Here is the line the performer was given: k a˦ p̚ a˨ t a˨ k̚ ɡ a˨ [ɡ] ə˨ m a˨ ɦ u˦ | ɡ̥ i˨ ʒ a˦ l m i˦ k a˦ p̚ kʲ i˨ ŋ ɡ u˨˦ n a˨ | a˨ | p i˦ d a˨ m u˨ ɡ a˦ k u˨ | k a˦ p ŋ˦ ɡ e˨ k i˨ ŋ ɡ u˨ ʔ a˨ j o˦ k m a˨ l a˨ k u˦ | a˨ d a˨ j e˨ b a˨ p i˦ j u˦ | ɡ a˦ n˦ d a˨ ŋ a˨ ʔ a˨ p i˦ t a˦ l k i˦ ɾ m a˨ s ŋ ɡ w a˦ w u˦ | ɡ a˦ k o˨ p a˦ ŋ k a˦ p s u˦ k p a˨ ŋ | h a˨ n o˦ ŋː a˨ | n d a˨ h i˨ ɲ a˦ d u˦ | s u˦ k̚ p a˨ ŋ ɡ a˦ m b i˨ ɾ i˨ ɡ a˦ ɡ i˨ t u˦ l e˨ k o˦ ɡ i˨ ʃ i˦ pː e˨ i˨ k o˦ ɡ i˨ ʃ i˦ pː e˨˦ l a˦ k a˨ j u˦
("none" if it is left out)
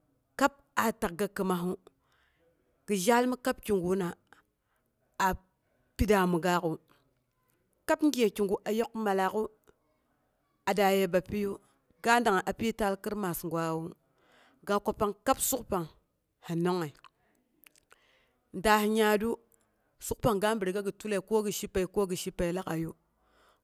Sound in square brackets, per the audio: k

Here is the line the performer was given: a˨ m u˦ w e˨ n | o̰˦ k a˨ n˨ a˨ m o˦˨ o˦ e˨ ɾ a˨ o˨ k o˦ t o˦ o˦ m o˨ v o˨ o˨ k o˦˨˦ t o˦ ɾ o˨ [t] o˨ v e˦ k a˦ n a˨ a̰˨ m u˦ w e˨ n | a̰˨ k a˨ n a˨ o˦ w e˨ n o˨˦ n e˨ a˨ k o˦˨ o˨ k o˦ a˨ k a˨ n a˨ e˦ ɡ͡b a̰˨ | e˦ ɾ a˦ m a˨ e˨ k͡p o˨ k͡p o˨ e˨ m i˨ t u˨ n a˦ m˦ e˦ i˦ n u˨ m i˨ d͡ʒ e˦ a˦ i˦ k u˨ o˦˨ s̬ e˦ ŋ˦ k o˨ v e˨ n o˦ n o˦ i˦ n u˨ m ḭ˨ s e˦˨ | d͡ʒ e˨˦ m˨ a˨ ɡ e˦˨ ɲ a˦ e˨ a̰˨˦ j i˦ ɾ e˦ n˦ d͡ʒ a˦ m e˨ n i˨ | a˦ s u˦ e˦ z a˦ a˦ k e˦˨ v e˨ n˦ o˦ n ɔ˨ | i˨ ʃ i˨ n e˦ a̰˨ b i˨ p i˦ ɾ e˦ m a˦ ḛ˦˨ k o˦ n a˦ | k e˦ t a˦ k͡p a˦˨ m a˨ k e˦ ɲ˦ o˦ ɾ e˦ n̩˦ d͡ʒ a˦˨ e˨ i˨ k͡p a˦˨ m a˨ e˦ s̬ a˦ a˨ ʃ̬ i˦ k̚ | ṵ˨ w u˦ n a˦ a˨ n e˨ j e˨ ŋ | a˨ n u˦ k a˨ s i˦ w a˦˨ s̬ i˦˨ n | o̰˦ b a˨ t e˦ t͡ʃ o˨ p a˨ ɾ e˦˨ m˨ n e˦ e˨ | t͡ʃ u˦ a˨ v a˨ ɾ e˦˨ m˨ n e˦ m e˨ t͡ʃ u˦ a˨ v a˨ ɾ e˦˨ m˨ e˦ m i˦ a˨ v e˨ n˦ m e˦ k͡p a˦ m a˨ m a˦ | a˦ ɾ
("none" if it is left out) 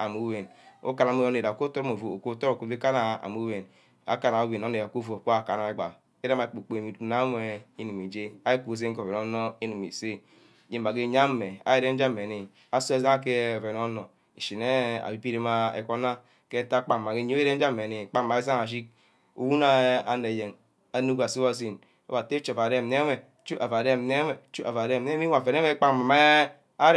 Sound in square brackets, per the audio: k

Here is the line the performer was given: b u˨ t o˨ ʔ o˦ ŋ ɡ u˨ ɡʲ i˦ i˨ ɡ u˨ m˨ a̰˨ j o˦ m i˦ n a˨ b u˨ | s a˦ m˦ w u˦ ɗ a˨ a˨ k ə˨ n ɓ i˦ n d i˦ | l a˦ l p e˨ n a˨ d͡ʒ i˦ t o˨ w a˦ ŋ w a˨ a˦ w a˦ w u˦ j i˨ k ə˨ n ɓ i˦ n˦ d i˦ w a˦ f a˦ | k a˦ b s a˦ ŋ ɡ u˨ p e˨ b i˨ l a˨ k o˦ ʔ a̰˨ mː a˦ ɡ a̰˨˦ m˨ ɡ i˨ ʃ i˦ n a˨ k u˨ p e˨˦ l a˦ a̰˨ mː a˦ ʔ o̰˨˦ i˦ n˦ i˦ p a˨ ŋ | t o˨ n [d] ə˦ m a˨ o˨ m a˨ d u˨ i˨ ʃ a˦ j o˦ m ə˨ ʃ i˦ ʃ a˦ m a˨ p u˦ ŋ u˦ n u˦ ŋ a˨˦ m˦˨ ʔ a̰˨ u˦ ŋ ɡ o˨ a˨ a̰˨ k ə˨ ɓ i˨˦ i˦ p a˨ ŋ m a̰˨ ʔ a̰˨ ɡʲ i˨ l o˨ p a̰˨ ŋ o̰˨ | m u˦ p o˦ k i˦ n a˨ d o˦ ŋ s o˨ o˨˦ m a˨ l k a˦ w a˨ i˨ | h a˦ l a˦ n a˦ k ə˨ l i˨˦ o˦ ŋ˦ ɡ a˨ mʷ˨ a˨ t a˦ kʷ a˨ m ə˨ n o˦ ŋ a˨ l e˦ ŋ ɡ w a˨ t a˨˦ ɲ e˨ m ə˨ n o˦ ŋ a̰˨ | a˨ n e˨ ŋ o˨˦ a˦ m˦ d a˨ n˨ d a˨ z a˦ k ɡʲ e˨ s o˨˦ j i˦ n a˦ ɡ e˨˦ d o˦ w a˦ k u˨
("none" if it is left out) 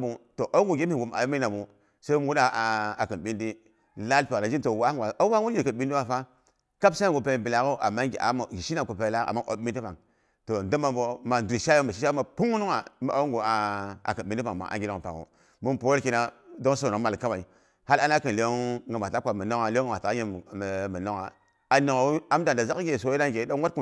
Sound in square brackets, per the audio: d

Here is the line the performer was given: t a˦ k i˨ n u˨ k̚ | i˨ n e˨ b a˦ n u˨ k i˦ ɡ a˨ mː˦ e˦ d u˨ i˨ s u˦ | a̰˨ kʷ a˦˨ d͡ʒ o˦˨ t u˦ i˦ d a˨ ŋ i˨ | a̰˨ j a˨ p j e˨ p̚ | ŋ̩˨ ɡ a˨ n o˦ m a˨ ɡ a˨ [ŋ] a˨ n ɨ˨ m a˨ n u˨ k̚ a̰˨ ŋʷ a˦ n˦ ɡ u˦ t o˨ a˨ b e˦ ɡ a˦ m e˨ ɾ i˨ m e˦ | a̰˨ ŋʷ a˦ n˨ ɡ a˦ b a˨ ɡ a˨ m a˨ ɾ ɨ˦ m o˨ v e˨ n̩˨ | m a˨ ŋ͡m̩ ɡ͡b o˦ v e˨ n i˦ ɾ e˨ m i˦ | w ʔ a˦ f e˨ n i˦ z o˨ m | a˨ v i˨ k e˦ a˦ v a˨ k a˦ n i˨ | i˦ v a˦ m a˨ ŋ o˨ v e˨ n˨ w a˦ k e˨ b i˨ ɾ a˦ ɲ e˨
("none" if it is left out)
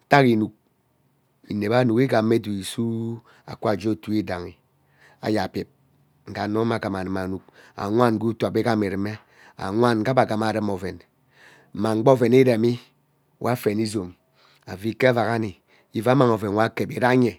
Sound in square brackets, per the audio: m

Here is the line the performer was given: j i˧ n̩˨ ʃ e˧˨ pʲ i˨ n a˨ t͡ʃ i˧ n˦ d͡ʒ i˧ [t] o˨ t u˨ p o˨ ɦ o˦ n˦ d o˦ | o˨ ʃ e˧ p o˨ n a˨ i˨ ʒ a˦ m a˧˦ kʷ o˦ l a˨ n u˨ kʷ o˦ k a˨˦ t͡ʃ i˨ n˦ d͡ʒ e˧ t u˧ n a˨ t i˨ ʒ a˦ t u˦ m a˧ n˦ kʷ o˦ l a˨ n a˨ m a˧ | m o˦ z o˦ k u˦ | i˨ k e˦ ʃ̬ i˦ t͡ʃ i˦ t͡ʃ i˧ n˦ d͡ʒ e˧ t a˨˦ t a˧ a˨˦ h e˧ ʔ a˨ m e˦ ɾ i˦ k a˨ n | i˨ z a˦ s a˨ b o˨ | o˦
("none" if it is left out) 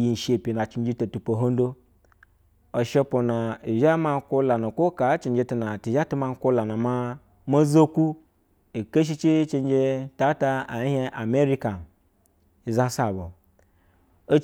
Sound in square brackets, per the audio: t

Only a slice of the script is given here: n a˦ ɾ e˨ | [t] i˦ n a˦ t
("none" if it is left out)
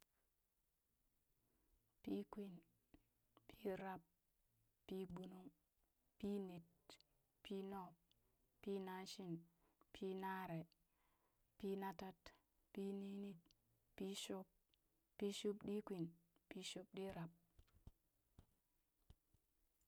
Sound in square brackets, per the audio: p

